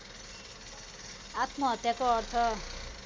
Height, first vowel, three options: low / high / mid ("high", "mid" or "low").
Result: low